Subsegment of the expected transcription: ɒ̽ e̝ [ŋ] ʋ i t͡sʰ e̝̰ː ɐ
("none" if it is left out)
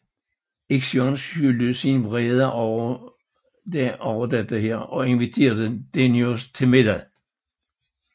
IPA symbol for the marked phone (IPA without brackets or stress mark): n